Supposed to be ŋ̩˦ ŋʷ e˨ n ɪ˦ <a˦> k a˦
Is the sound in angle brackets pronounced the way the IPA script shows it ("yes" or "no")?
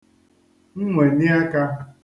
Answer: yes